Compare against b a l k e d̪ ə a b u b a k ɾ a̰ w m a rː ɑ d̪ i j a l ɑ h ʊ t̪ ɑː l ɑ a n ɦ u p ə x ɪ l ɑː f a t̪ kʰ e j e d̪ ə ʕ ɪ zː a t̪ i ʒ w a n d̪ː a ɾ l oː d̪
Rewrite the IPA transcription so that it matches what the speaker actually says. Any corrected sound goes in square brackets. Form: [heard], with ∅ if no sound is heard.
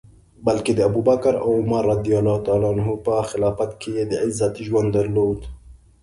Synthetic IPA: b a l k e d̪ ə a b u b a k ɾ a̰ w m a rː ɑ d̪ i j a l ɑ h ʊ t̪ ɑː l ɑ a n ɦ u p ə x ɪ l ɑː f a t̪ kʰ e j e d̪ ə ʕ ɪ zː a t̪ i ʒ w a n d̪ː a ɾ l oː d̪